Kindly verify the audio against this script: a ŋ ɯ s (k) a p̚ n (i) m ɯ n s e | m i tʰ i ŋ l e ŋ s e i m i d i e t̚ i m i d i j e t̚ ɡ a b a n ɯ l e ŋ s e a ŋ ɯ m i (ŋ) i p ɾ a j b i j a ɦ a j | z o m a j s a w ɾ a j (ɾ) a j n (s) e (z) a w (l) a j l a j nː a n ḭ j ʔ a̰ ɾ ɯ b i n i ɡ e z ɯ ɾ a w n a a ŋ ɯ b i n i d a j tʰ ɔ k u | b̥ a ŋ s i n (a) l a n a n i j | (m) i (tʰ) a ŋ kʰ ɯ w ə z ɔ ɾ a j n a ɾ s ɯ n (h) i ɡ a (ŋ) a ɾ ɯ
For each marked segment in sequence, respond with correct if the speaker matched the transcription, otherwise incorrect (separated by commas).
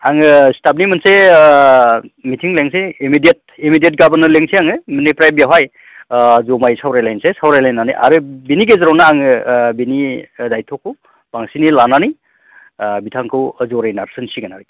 incorrect, correct, incorrect, incorrect, correct, incorrect, incorrect, incorrect, incorrect, correct, incorrect, incorrect